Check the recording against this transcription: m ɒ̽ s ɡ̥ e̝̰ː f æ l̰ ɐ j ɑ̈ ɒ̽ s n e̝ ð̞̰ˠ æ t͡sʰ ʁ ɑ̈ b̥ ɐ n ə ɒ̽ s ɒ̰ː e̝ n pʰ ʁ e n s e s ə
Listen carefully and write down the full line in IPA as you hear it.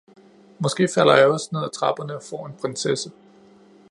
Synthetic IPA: m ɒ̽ s ɡ̥ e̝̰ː f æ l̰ ɐ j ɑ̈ ɒ̽ s n e̝ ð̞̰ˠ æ t͡sʰ ʁ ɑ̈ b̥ ɐ n ə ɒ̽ f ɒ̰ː e̝ n pʰ ʁ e n s e s ə